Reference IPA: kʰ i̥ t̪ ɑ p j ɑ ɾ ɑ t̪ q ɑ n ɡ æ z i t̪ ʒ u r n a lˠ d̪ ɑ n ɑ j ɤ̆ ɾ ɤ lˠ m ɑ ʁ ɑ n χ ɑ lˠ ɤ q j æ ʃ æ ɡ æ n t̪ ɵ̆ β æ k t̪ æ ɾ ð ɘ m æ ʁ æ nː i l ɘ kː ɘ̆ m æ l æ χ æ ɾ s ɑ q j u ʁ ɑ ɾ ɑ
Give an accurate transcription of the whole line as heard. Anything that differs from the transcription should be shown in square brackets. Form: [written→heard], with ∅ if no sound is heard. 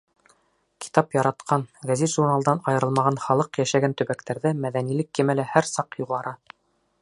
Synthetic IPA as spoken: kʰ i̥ t̪ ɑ p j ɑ ɾ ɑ t̪ q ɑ n ɡ æ z i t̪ ʒ u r n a lˠ d̪ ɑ n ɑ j ɤ̆ ɾ ɤ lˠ m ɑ ʁ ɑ n χ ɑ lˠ ɤ q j æ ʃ æ ɡ æ n t̪ ɵ̆ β æ k t̪ æ ɾ ð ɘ m æ [ʁ→ð] æ [nː→n] i l ɘ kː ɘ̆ m æ l æ [χ→h] æ ɾ s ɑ q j u ʁ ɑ ɾ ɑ